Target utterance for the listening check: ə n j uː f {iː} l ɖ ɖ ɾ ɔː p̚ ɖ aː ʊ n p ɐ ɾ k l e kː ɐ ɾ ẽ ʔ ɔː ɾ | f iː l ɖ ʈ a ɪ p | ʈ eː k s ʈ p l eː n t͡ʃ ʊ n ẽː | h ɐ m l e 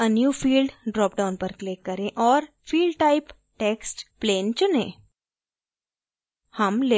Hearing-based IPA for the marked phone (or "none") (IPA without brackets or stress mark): iː